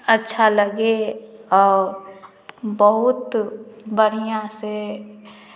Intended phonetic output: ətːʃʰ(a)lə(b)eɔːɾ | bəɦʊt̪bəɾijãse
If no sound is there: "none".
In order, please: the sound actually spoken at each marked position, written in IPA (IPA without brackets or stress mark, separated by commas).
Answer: a, ɡ